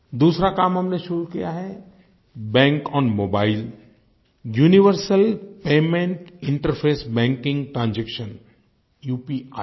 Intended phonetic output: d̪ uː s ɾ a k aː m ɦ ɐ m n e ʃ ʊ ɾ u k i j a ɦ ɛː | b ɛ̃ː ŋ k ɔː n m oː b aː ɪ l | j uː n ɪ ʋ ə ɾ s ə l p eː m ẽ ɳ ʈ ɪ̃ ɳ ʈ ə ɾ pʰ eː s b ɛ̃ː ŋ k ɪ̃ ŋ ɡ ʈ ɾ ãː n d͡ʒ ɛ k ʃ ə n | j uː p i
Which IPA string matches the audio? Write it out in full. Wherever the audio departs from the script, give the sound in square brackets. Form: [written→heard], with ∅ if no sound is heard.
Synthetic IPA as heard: d̪ uː s ɾ a k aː m ɦ ɐ m n e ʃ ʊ ɾ u k i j a ɦ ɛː | b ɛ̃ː ŋ k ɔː n m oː b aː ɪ l | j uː n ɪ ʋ ə ɾ s ə l p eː m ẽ ɳ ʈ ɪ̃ ɳ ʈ ə ɾ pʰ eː s b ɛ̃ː ŋ k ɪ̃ ŋ ɡ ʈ ɾ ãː n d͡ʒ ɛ k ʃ ə n | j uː p i